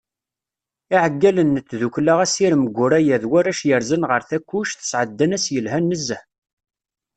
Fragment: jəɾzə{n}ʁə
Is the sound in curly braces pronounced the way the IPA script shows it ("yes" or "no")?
yes